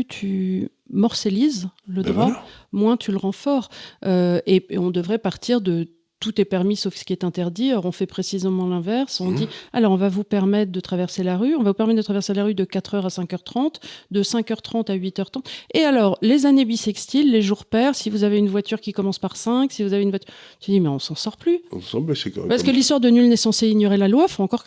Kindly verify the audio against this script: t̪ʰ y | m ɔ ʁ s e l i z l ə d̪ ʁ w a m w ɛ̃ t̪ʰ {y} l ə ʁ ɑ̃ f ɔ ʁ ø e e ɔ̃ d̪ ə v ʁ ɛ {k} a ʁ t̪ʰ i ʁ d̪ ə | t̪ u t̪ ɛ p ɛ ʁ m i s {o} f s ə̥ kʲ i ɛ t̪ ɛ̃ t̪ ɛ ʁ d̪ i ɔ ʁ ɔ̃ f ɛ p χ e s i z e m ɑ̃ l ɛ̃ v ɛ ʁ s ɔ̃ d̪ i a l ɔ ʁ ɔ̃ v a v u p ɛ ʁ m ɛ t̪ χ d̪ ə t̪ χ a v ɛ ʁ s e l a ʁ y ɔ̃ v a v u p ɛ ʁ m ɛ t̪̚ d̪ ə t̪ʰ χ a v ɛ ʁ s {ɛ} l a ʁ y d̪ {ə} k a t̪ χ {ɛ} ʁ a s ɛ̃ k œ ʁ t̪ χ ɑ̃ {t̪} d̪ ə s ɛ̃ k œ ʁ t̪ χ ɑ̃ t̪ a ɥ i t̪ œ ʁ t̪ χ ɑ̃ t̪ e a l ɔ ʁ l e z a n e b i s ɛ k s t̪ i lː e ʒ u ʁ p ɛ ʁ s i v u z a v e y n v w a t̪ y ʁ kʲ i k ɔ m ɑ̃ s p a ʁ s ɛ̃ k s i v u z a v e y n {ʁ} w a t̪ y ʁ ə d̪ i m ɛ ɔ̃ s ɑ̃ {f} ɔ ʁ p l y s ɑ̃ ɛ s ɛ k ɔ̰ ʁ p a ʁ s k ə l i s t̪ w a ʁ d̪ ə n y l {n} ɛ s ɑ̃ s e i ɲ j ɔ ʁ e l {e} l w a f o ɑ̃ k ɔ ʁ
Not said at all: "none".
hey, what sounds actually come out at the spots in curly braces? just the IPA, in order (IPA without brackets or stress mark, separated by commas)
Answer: y, p, o, e, ə, œ, t̪, v, s, n, a